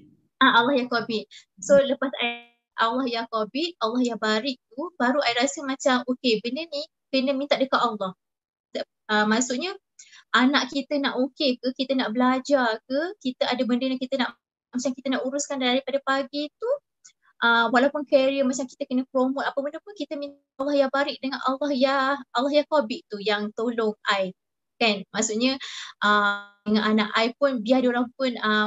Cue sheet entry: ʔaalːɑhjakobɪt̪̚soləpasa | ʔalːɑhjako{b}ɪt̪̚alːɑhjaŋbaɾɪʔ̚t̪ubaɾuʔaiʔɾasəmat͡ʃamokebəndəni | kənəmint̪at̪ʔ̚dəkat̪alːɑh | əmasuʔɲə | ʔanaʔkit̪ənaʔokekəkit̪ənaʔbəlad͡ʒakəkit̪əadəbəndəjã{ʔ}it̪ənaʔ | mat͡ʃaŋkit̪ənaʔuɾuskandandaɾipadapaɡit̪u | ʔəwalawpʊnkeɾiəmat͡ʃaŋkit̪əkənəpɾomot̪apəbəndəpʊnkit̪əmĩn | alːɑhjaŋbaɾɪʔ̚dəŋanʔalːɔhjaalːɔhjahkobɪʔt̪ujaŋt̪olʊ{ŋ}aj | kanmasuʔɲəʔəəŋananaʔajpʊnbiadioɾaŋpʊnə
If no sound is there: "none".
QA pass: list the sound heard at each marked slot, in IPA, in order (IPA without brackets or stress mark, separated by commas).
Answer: b, k, ŋ